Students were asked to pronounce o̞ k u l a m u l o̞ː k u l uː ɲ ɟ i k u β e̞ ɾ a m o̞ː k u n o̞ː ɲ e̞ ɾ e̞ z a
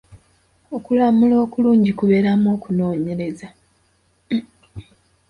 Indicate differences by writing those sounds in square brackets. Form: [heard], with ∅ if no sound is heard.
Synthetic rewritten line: o̞ k u l a m u l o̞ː k u l uː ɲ ɟ i k u β e̞ ɾ a m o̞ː k u n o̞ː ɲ e̞ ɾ e̞ z a